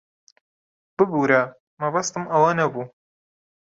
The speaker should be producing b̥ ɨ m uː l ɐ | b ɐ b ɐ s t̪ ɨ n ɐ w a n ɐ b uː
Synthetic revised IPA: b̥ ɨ b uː ɾ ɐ | m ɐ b ɐ s t̪ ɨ m ɐ w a n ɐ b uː